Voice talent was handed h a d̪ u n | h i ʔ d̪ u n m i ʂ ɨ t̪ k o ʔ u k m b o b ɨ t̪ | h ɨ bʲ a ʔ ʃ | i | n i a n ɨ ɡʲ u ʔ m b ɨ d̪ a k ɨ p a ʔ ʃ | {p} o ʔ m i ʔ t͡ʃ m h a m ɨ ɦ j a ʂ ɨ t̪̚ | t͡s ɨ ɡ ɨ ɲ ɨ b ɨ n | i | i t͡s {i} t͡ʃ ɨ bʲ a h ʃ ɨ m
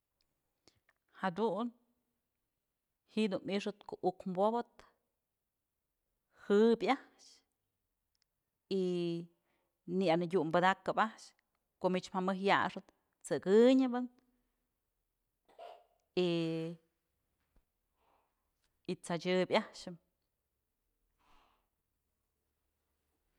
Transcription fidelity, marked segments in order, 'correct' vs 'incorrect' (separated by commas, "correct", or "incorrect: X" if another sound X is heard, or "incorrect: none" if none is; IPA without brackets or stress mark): incorrect: k, incorrect: a